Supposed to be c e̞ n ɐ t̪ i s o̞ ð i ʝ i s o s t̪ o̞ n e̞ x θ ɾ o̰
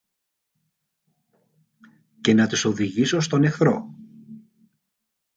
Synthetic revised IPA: c e̞ n ɐ t̪ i s o̞ ð i ʝ i s o s t̪ o̞ n e̞ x θ ɾ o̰